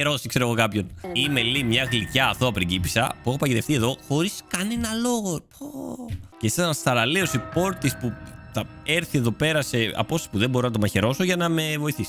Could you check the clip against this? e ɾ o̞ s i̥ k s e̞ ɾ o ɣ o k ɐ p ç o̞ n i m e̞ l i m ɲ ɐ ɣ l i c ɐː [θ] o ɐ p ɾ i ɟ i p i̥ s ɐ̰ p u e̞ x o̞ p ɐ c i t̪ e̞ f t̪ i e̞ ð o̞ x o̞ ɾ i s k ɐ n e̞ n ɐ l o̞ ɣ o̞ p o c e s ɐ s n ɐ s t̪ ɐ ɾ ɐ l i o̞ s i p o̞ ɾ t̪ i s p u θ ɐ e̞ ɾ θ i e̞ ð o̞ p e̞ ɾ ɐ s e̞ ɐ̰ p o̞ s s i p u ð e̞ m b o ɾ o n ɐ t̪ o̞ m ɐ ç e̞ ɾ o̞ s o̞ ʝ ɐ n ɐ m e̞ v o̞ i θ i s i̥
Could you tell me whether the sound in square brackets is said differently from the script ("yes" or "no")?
no